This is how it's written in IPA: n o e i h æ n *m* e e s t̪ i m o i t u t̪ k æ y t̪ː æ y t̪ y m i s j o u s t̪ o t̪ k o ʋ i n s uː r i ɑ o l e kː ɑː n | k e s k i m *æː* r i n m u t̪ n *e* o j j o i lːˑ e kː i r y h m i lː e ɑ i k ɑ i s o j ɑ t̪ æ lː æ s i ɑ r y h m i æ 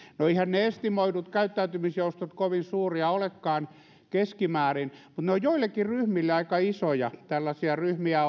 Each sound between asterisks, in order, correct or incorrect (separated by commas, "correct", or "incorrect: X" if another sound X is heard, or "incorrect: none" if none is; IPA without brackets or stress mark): incorrect: n, correct, correct